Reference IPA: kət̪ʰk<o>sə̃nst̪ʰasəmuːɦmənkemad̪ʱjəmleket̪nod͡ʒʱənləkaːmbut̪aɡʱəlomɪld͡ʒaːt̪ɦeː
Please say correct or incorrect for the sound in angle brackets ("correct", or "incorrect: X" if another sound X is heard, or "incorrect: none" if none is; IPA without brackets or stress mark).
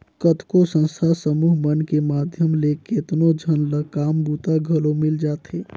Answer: correct